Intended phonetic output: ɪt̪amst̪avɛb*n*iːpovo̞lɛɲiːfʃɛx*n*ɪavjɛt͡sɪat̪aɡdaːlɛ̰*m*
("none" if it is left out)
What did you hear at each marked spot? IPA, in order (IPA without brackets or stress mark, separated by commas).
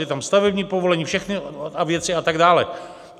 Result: ɲ, n, none